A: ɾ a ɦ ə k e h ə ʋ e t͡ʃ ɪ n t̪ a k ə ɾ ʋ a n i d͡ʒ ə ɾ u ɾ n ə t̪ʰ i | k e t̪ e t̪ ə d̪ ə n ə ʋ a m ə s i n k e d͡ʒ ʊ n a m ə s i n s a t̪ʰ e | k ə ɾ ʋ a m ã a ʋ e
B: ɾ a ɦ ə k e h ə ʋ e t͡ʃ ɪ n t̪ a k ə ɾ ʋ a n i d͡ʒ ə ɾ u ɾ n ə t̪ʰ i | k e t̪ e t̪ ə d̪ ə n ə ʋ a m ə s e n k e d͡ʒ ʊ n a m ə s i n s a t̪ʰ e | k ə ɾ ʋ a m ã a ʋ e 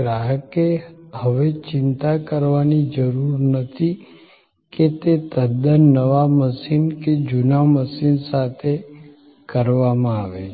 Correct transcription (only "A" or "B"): A